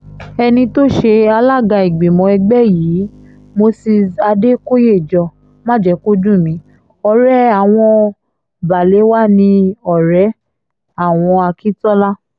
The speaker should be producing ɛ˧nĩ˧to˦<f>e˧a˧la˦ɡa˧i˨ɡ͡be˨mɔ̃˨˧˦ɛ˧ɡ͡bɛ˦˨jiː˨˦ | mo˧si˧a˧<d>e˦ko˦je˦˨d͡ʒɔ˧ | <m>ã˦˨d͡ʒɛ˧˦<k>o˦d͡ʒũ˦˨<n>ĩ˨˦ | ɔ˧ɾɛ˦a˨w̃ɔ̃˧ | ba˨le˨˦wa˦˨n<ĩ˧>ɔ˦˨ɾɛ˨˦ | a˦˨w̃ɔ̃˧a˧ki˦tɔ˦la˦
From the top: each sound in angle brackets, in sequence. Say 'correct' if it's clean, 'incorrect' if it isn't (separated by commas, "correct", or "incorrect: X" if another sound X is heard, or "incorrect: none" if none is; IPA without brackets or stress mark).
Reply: incorrect: ʃ, correct, correct, correct, incorrect: m, correct